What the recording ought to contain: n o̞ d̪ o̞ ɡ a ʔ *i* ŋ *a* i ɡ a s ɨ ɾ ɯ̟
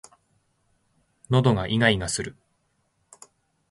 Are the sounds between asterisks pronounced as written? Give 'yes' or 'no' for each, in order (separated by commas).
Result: yes, yes